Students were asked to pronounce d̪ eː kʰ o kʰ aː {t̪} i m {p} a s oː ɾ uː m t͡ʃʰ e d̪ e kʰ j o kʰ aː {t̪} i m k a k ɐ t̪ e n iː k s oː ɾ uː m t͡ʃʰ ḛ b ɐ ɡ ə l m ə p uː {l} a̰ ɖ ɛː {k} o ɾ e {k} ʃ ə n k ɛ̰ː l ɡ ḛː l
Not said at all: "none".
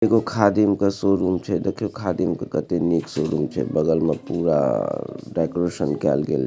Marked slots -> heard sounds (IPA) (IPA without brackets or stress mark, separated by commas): d̪, k, d̪, ɾ, k, none